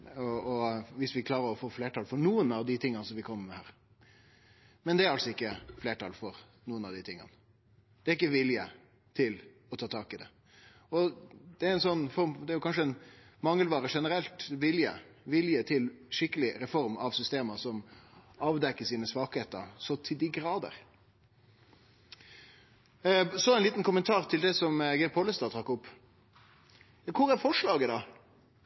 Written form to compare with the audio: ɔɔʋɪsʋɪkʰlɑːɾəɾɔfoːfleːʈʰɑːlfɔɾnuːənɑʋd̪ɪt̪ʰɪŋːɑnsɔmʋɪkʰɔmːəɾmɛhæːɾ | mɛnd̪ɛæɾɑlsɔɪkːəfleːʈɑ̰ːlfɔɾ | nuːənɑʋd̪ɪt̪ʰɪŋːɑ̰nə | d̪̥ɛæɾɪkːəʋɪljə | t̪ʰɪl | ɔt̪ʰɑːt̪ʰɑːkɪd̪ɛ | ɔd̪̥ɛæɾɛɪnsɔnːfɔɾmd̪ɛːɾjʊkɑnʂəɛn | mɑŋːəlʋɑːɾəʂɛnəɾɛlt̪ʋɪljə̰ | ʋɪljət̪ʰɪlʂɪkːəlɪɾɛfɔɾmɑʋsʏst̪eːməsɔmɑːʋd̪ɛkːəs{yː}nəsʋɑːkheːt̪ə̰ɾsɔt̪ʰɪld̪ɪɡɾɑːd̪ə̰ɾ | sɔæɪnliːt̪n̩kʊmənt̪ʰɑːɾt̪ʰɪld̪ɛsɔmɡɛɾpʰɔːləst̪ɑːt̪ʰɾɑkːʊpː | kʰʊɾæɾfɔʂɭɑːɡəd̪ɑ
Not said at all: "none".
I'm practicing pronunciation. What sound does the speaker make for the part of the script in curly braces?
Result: iː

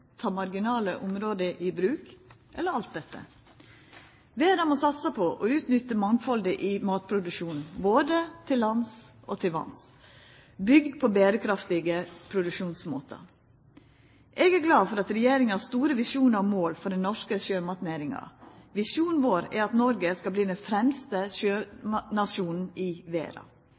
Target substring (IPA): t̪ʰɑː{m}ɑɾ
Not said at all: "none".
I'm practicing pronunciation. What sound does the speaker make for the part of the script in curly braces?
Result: m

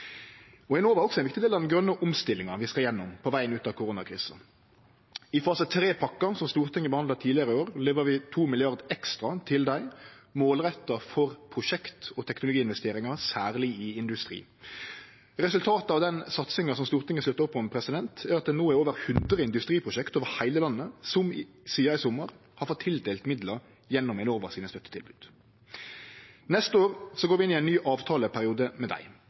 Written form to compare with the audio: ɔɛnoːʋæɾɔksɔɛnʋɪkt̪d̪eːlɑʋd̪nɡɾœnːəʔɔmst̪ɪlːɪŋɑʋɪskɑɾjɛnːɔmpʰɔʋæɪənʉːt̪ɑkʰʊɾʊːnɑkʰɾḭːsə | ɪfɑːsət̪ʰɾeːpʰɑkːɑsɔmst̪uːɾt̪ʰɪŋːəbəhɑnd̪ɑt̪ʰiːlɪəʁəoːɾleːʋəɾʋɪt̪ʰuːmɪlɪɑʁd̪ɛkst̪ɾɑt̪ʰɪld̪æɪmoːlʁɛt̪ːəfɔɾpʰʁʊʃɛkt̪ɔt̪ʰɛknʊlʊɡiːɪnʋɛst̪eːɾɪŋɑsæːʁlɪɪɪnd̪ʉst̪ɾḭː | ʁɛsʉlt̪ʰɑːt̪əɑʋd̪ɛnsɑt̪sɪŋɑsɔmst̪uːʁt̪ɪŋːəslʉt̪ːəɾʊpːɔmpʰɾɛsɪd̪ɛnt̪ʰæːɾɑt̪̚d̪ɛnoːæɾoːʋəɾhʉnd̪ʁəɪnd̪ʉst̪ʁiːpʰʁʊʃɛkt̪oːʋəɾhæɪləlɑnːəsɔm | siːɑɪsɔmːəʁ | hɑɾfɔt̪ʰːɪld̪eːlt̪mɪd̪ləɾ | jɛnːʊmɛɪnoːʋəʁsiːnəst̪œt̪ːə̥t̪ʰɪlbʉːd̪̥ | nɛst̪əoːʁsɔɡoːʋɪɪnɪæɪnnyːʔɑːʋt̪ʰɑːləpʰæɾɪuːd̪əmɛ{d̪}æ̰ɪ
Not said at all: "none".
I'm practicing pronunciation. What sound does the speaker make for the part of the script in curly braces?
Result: d̪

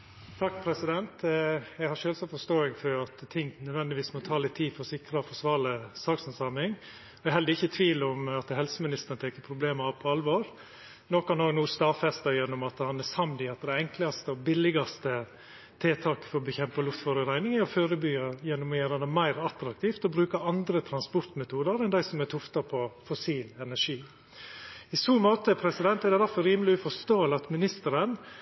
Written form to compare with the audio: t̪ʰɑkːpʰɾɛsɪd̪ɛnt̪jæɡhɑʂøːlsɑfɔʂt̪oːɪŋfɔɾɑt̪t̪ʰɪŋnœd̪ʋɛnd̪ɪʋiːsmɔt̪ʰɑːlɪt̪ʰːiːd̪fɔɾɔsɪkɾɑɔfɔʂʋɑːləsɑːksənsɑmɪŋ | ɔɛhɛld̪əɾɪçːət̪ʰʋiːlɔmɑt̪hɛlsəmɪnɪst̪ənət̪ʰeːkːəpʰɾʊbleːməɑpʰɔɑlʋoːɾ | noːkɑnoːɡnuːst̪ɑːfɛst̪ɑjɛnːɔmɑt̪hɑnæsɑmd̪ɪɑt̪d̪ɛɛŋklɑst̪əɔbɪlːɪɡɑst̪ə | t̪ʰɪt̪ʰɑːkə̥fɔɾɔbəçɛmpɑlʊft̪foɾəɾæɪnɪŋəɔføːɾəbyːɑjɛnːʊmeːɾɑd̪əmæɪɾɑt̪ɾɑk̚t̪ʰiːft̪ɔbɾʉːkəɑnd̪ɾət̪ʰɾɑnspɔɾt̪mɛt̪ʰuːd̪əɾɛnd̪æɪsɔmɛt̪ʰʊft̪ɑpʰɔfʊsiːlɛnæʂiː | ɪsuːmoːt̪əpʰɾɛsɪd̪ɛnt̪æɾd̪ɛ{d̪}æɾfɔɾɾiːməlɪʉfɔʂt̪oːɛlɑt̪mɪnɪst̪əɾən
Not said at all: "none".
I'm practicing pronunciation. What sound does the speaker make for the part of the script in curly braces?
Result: d̪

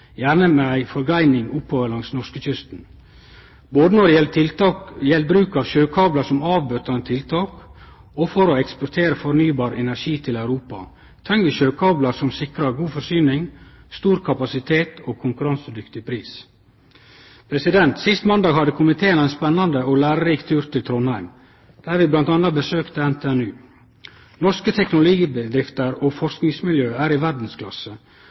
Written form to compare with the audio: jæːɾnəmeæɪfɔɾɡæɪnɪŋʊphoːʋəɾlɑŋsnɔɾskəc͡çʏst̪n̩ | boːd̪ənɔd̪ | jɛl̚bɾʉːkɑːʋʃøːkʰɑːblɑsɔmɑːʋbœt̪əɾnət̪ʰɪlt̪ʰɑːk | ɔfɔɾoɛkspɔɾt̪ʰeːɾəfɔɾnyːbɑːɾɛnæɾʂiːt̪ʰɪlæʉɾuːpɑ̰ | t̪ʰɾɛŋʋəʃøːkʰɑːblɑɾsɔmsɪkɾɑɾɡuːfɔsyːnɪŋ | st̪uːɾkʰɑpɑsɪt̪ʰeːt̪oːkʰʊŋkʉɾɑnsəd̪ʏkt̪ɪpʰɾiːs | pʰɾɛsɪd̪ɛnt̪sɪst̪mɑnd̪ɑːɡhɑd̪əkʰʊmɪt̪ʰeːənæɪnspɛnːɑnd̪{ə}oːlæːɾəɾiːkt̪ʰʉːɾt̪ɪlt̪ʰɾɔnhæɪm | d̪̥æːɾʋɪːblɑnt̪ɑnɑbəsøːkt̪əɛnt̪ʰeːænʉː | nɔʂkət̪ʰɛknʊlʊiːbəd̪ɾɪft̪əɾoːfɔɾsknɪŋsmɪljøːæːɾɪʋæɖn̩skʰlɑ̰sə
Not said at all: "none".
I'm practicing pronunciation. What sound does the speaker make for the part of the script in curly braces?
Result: ə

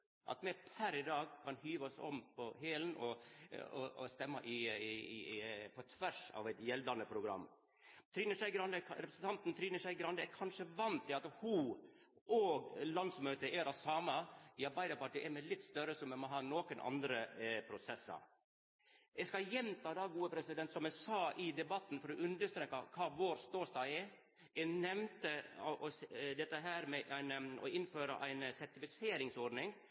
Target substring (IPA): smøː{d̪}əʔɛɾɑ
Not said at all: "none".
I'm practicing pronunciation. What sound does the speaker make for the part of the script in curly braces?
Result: t̪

